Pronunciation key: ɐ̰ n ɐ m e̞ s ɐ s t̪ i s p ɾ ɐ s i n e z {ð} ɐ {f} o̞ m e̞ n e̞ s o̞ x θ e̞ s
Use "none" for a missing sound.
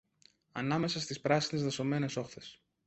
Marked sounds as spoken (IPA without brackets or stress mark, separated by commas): ð, s